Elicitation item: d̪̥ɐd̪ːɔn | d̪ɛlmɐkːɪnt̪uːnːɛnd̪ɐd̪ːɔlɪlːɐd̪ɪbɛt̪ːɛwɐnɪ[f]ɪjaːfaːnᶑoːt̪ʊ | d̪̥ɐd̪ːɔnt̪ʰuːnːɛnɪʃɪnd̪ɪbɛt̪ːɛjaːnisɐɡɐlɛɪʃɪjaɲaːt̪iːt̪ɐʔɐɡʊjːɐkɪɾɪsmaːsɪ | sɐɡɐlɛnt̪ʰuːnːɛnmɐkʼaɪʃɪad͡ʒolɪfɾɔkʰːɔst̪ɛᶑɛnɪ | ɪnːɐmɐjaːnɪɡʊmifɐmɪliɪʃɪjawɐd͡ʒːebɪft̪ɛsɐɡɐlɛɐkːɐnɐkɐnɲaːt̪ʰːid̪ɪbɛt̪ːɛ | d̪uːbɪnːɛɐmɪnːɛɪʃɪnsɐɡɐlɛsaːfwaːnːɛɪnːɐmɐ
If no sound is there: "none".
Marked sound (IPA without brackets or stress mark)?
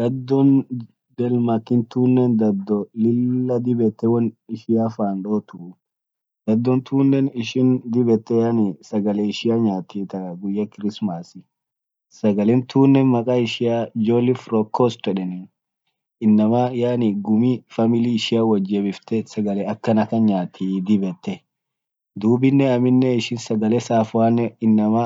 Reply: ʃ